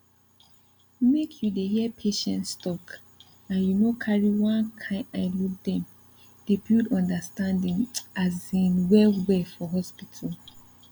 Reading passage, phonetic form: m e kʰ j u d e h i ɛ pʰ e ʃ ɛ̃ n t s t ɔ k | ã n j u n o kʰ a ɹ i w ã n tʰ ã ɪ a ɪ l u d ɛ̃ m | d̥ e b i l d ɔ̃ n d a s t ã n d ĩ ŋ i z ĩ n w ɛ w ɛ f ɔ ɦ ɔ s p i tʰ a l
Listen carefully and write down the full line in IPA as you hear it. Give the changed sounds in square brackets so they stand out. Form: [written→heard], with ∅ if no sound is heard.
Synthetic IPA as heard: m e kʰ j u d e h i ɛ pʰ e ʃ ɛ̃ n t s t ɔ k | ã n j u n o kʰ a ɹ i w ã n [tʰ→kʰ] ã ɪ a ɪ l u d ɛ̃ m | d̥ e b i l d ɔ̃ n d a s t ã n d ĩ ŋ [i→a] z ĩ n w ɛ w ɛ f ɔ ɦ ɔ s p i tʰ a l